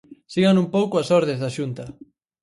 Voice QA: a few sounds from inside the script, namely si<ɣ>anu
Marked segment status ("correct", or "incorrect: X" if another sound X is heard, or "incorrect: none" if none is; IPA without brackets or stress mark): correct